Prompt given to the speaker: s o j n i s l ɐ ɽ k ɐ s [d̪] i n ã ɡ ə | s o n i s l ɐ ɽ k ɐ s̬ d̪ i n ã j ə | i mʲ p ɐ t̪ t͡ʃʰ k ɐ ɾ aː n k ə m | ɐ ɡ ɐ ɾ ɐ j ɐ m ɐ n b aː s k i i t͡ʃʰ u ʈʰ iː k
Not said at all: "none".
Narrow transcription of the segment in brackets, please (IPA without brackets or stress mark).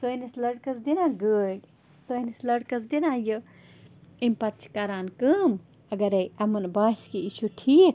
d̪